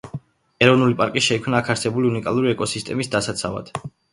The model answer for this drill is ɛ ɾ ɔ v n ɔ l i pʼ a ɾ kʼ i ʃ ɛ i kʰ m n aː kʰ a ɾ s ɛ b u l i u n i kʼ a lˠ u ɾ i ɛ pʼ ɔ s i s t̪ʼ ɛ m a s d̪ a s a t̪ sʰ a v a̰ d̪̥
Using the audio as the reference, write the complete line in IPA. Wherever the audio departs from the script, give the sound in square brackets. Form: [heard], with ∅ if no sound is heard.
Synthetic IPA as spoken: ɛ ɾ ɔ v n [u] l i pʼ a ɾ kʼ i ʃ ɛ i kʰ m n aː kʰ a ɾ s ɛ b u l i u n i kʼ a lˠ u ɾ i ɛ [kʼ] ɔ s i s t̪ʼ ɛ m [i] s d̪ a s a t̪ sʰ a v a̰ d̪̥